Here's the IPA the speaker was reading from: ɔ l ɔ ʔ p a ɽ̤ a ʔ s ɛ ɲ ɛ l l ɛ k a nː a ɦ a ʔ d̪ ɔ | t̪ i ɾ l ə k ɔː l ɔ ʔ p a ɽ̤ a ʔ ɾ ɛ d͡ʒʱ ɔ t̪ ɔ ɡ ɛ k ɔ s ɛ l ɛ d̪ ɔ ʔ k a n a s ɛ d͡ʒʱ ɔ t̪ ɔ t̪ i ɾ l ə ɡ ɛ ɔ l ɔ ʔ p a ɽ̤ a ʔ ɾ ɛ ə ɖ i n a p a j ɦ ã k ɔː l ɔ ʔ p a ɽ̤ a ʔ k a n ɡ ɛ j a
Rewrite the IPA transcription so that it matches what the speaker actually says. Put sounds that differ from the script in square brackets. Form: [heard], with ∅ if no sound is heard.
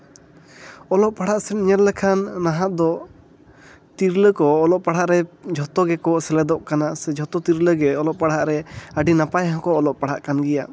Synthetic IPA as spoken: ɔ l ɔ ʔ p a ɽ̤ a ʔ s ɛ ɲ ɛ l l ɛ [kʰ] a nː a ɦ a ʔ d̪ ɔ | t̪ i ɾ l ə k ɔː l ɔ ʔ p a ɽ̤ a ʔ ɾ ɛ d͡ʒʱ ɔ t̪ ɔ ɡ ɛ k ɔ s ɛ l ɛ d̪ ɔ ʔ k a n a s ɛ d͡ʒʱ ɔ t̪ ɔ t̪ i ɾ l ə ɡ ɛ ɔ l ɔ ʔ p a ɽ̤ a ʔ ɾ ɛ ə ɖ i n a p a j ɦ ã k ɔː l ɔ ʔ p a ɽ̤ a ʔ k a n ɡ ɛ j a

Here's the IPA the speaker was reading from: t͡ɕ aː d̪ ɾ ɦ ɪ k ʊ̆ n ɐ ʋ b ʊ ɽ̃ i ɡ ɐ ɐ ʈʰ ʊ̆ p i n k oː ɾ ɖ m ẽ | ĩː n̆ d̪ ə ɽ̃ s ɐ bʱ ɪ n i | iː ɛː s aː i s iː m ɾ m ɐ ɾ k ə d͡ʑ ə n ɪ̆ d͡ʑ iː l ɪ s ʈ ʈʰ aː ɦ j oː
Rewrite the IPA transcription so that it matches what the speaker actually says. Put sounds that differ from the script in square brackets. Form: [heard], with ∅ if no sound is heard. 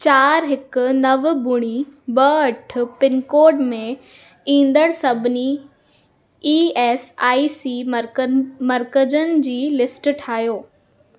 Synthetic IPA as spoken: t͡ɕ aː [∅] ɾ ɦ ɪ k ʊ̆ n ɐ ʋ b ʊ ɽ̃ i [b] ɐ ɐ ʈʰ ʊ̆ p [ɪ] n k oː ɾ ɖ m ẽ | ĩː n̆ d̪ ə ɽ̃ s ɐ bʱ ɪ n i | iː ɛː s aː i s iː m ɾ m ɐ ɾ k ə d͡ʑ ə n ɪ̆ d͡ʑ iː l ɪ s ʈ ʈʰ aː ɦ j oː

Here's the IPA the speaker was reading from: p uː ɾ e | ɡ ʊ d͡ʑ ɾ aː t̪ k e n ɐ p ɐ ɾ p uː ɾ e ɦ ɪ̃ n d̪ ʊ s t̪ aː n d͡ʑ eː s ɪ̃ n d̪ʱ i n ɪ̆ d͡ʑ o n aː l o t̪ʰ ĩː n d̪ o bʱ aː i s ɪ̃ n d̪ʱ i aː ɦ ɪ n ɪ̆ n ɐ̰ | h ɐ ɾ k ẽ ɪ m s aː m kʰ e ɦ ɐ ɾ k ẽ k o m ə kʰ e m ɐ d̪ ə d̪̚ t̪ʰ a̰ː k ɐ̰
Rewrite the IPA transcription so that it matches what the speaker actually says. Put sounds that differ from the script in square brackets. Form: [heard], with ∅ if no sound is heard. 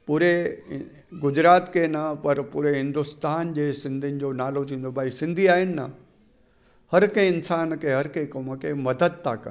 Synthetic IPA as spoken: p uː ɾ e | ɡ ʊ d͡ʑ ɾ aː t̪ k e n ɐ p ɐ ɾ p uː ɾ e ɦ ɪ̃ n d̪ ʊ s t̪ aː n d͡ʑ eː s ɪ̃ n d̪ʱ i n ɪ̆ d͡ʑ o n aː l o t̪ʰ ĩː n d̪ o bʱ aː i s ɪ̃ n d̪ʱ i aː ɦ ɪ n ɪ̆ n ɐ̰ | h ɐ ɾ k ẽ ɪ [n] s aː [n] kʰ e ɦ ɐ ɾ k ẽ k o m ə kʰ e m ɐ d̪ ə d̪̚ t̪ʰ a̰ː k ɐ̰

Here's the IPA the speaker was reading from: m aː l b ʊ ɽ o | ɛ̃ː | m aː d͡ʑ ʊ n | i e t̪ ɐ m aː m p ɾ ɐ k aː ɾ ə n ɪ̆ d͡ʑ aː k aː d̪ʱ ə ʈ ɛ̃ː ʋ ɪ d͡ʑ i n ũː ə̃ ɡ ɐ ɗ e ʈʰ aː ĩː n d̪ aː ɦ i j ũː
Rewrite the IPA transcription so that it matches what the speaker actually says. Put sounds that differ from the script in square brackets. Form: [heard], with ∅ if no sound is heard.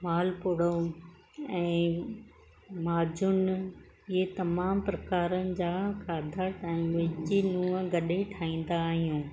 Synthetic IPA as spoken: m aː l [p] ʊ ɽ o | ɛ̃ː | m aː d͡ʑ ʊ n | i e t̪ ɐ m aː m p ɾ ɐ k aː ɾ ə n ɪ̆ d͡ʑ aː k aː d̪ʱ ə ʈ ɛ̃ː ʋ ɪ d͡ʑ i n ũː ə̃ ɡ ɐ ɗ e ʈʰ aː ĩː n d̪ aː ɦ i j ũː

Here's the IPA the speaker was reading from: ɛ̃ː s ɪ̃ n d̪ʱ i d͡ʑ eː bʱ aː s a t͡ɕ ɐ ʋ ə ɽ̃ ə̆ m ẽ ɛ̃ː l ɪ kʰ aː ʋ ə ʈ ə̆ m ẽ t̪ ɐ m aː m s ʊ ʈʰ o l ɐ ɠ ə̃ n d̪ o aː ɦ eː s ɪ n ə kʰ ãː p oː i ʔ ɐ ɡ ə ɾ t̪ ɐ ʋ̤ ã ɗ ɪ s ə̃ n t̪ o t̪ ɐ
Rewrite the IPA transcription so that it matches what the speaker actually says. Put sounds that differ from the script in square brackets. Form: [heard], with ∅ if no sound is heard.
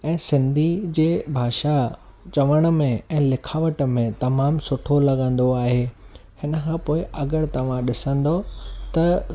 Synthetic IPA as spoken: ɛ̃ː s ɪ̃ n d̪ʱ i d͡ʑ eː bʱ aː [ʃ] a t͡ɕ ɐ ʋ ə ɽ̃ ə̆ m ẽ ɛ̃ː l ɪ kʰ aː ʋ ə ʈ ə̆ m ẽ t̪ ɐ m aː m s ʊ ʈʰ o l ɐ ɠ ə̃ n d̪ o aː ɦ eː [h] ɪ n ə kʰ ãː p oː [ɪ] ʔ ɐ ɡ ə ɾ t̪ ɐ ʋ̤ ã ɗ ɪ s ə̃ n [d̪] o t̪ ɐ

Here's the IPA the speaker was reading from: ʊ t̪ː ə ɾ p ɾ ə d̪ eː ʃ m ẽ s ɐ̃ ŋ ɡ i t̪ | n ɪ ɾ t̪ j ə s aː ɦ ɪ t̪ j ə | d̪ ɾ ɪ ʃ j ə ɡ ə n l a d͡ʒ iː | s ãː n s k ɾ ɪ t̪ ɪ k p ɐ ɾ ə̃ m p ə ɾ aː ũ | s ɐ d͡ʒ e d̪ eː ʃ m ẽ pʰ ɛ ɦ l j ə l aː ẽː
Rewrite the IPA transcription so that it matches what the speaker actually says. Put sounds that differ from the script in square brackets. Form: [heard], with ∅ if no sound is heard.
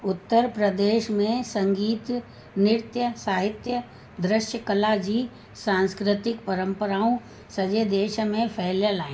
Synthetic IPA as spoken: ʊ t̪ː ə ɾ p ɾ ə d̪ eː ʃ m ẽ s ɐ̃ ŋ ɡ [iː] t̪ | n ɪ ɾ t̪ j ə s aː ɦ ɪ t̪ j ə | d̪ ɾ ɪ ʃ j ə [k] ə [∅] l a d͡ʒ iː | s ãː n s k ɾ ɪ t̪ ɪ k p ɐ ɾ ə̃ m p ə ɾ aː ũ | s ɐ d͡ʒ e d̪ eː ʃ m ẽ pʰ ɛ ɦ l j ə l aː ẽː

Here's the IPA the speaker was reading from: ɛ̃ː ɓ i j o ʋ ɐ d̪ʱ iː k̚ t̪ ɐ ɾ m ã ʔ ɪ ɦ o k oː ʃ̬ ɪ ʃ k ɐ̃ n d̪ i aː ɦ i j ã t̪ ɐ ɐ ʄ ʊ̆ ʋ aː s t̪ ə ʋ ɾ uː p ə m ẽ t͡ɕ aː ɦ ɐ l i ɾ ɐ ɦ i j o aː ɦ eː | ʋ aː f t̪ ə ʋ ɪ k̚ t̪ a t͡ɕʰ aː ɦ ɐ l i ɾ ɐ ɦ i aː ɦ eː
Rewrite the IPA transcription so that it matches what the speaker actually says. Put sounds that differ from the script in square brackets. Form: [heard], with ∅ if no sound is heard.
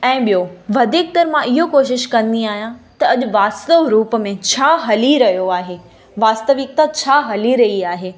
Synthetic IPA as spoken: ɛ̃ː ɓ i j o ʋ ɐ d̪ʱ iː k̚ t̪ ɐ ɾ m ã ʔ ɪ ɦ o k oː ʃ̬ ɪ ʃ k ɐ̃ n d̪ i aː ɦ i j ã t̪ ɐ ɐ ʄ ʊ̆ ʋ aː s t̪ ə ʋ ɾ uː p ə m ẽ [t͡ɕʰ] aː ɦ ɐ l i ɾ ɐ ɦ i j o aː ɦ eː | ʋ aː [s] t̪ ə ʋ ɪ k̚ t̪ a t͡ɕʰ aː ɦ ɐ l i ɾ ɐ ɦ i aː ɦ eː

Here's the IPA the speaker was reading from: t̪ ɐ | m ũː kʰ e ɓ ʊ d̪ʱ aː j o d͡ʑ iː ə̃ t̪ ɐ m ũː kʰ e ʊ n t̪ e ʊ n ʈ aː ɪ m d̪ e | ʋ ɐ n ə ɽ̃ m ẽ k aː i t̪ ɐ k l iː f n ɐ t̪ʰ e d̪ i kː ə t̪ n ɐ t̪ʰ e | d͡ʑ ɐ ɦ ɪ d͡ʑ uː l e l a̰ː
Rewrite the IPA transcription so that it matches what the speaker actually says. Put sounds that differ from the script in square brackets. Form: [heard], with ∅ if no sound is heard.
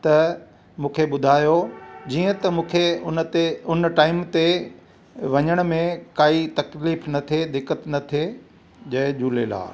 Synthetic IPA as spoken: t̪ ɐ | m ũː kʰ e ɓ ʊ d̪ʱ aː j o d͡ʑ iː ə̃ t̪ ɐ m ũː kʰ e ʊ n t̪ e ʊ n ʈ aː ɪ m [t̪] e | ʋ ɐ [ɲ] ə ɽ̃ m ẽ k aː i t̪ ɐ k l iː f n ɐ t̪ʰ e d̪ [ɪ] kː ə t̪ n ɐ t̪ʰ e | d͡ʑ ɐ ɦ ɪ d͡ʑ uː l e l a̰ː

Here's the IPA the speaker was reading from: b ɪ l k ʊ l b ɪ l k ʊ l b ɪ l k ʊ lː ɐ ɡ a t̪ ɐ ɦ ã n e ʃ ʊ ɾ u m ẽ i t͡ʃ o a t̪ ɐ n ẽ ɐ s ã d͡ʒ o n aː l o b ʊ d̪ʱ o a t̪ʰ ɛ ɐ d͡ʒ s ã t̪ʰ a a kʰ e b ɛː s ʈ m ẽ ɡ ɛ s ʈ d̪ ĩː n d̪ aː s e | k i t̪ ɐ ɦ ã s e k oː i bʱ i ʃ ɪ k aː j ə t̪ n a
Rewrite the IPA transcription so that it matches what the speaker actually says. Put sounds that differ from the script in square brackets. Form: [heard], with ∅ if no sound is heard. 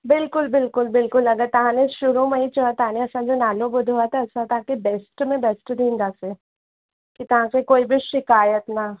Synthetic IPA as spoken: b ɪ l k ʊ l b ɪ l k ʊ l b ɪ l k ʊ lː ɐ ɡ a t̪ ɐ ɦ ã n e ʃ ʊ ɾ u m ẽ i t͡ʃ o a t̪ [a] n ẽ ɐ s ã d͡ʒ o n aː l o b ʊ d̪ʱ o a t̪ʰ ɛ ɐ [∅] s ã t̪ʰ a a [k] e b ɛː s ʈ m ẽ [b] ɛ s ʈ d̪ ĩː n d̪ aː s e | k i t̪ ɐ ɦ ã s e k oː i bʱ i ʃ ɪ k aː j ə t̪ n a

